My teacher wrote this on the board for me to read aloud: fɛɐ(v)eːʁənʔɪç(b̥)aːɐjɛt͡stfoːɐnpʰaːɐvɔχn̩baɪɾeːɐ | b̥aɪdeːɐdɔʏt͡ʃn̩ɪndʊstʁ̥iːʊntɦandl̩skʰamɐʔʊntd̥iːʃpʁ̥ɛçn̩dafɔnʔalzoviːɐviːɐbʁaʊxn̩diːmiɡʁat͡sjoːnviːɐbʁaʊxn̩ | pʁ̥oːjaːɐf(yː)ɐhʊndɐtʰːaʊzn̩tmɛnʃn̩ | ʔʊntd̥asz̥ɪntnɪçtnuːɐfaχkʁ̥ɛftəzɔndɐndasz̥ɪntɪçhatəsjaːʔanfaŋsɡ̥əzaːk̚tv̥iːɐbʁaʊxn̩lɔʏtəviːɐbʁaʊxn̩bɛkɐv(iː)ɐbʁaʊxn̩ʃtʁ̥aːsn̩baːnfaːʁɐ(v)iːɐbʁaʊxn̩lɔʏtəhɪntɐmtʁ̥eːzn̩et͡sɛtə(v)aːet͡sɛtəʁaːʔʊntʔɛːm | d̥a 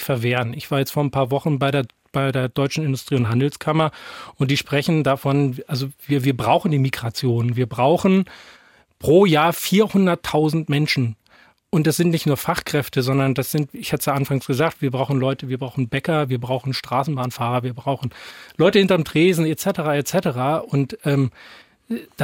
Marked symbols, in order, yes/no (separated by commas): yes, no, no, yes, yes, no